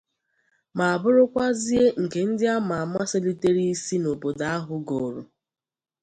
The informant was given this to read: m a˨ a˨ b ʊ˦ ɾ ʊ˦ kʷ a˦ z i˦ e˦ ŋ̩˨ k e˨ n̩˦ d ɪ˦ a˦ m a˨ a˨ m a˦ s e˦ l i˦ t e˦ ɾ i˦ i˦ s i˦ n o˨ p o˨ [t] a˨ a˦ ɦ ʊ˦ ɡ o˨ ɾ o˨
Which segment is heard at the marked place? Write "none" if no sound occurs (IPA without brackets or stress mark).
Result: d